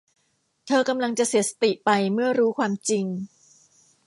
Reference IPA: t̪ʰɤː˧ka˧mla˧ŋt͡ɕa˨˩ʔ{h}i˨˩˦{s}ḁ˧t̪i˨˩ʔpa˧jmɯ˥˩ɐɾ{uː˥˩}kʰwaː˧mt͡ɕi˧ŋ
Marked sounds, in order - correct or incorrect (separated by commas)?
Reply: incorrect, correct, incorrect